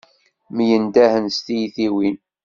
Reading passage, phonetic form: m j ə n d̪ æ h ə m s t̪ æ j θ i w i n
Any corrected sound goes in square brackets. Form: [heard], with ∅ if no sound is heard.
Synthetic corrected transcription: m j ə n d̪ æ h ə [n] s t̪ [i] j θ i w i n